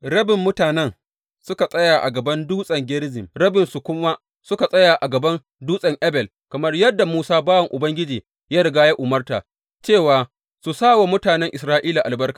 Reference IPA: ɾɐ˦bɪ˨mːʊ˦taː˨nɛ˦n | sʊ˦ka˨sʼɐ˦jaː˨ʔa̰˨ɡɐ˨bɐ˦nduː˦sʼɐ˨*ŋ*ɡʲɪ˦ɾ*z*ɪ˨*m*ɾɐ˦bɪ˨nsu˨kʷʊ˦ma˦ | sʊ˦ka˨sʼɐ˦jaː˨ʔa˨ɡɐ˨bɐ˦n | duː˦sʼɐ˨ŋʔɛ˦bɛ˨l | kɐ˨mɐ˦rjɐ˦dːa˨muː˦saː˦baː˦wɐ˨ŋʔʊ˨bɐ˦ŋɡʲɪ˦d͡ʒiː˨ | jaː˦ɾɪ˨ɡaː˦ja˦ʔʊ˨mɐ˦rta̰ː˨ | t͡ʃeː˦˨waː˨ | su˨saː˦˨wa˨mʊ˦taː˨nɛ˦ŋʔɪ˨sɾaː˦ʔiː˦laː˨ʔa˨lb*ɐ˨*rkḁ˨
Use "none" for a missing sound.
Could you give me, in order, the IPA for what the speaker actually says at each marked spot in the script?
ŋ, z, m, ɐ˦

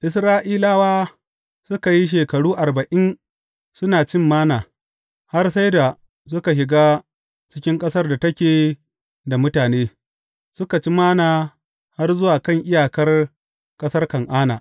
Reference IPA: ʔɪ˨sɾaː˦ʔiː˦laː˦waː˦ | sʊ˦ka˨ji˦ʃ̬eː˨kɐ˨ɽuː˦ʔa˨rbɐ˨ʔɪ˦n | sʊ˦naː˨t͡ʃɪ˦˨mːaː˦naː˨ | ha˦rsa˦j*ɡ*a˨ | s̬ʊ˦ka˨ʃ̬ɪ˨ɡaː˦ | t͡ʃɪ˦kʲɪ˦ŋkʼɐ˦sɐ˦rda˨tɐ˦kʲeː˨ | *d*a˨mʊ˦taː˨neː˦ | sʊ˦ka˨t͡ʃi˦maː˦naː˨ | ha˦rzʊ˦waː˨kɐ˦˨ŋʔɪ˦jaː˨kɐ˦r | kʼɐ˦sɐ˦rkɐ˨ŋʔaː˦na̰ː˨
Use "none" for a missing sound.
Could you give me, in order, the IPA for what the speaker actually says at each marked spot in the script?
d, d

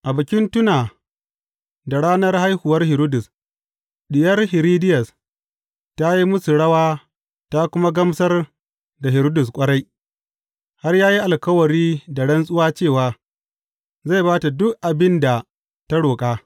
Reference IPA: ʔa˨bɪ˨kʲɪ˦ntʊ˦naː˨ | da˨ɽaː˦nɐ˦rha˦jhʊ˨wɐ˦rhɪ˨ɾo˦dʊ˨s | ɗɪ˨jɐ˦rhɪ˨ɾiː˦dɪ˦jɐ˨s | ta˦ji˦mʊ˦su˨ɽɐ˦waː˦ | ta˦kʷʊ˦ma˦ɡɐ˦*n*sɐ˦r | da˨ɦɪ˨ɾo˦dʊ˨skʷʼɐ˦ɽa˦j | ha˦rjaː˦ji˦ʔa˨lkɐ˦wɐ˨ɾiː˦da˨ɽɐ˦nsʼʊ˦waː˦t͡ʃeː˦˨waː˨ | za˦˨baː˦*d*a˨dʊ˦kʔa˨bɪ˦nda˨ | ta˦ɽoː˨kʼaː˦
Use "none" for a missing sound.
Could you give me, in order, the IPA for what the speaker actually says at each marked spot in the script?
m, t

